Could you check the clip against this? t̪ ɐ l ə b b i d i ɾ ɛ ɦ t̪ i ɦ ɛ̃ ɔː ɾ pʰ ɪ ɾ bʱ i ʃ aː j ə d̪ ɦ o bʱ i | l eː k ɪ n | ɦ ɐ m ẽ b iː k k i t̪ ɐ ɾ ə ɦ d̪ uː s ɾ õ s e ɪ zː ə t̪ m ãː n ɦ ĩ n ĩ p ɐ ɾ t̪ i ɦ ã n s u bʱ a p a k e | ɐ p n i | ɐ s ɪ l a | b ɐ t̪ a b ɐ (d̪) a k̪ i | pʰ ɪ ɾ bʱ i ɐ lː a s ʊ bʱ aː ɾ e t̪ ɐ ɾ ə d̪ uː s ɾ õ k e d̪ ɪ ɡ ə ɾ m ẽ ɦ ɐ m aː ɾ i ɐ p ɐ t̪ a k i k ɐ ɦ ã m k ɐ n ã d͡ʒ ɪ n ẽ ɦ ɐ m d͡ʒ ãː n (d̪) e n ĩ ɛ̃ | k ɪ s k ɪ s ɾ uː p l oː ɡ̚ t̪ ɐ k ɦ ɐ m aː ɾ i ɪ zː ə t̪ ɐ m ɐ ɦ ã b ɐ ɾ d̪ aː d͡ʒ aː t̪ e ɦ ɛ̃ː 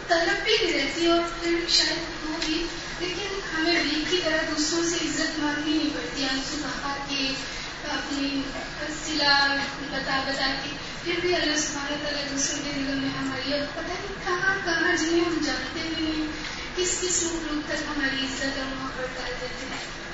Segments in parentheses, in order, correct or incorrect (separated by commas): incorrect, incorrect